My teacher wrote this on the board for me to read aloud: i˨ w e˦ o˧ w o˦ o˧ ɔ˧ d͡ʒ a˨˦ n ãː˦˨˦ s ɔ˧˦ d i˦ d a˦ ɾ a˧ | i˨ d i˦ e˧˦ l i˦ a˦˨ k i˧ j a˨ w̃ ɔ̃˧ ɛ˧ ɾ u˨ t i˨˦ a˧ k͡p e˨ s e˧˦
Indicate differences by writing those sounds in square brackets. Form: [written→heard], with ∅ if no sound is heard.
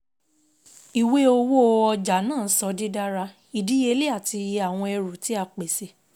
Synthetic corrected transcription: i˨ w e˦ o˧ w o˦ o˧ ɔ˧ d͡ʒ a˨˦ n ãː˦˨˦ s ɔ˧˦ d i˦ d a˦ ɾ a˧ | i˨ d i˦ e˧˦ l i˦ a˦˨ [k→t] i˧ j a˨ w̃ ɔ̃˧ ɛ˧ ɾ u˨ t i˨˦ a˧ k͡p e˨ s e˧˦